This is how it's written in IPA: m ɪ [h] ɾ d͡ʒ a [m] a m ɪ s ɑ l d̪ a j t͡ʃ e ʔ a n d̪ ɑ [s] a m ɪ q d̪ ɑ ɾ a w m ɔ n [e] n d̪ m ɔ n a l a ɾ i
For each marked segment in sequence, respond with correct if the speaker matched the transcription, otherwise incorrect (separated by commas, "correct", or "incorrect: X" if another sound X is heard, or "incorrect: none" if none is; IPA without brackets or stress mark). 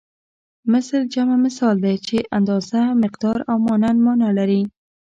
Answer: incorrect: s, correct, incorrect: z, incorrect: a